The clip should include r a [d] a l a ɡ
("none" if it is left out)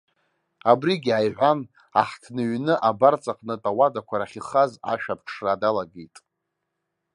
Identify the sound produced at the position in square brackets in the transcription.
d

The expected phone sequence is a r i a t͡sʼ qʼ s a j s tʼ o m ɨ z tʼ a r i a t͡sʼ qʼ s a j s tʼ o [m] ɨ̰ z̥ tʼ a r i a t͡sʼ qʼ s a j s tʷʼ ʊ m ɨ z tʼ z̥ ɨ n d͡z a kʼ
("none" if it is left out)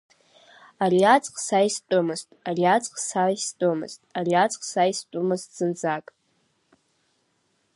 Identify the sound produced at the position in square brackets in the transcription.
m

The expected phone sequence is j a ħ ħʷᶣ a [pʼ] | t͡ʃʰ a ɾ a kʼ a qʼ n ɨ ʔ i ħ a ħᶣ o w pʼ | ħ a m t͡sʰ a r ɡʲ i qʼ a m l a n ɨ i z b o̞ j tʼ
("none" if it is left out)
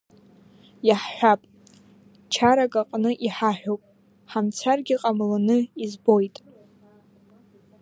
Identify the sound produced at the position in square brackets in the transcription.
pʼ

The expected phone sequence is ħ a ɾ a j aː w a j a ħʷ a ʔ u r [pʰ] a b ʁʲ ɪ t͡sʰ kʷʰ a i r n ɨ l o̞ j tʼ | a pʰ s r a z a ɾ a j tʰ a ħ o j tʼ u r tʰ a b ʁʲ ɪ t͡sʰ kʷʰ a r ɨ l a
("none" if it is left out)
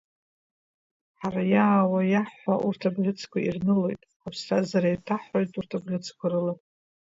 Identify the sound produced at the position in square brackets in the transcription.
tʰ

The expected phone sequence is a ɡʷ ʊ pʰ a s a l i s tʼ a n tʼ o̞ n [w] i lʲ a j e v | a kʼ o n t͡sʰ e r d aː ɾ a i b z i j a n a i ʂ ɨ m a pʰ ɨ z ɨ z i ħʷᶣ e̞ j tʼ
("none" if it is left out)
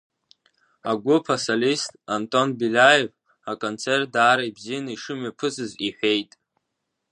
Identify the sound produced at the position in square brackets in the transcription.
b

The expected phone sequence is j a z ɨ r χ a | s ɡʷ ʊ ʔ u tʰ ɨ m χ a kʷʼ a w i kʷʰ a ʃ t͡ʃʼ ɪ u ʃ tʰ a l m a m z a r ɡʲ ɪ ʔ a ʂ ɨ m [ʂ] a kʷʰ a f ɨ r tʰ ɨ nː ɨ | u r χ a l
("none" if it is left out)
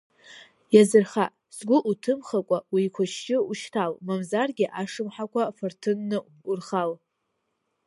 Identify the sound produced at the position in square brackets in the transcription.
ħ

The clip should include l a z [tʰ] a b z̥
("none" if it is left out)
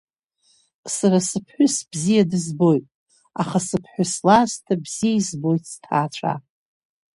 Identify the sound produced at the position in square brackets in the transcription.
tʰ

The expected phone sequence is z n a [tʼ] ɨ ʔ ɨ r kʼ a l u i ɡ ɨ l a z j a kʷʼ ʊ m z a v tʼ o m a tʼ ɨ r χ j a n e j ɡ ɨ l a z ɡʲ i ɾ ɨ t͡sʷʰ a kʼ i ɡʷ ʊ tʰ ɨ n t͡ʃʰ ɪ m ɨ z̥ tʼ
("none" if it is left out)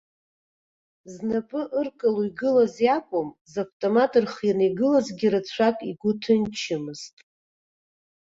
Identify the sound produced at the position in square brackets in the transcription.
pʼ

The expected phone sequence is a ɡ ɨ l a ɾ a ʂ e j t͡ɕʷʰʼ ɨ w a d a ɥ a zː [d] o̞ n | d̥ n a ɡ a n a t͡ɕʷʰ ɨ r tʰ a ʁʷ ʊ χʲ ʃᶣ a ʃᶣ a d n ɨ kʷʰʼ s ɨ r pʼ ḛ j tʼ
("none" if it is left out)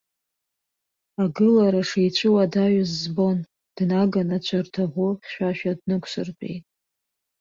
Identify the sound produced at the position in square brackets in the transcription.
b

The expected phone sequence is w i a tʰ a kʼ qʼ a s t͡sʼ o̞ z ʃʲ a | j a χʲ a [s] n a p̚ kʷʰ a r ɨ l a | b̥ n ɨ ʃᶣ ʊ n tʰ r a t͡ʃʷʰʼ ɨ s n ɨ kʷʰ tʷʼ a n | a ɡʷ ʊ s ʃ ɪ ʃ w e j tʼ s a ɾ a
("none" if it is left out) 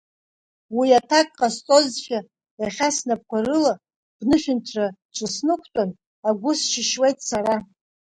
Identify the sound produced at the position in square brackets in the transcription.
s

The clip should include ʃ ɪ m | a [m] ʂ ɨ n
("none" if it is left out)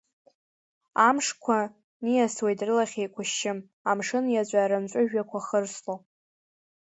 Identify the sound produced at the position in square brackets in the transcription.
m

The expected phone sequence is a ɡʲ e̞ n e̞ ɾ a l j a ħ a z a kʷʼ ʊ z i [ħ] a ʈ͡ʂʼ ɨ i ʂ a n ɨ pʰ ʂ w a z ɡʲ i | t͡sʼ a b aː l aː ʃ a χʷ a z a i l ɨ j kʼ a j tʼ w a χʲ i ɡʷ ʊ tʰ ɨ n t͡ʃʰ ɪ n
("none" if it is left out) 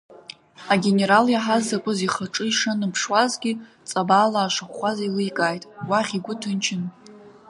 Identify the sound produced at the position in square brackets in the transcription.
χ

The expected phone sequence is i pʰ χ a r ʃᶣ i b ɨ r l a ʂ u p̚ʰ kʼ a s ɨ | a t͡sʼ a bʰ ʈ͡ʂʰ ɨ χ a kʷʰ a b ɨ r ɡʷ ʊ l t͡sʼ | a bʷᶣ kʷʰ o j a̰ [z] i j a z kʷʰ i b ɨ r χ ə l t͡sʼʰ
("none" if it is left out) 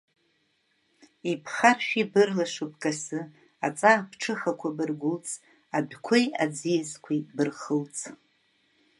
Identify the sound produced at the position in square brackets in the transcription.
d͡z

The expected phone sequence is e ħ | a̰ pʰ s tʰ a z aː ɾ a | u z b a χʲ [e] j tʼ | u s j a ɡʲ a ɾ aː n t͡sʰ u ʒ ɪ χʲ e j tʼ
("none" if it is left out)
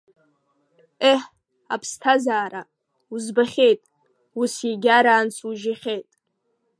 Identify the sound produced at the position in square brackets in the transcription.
e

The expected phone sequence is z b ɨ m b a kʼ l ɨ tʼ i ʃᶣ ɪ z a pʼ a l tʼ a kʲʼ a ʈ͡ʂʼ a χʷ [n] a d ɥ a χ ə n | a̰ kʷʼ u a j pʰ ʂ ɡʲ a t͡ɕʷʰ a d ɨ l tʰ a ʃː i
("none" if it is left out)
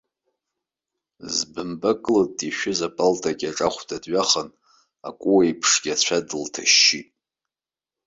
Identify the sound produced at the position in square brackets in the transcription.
d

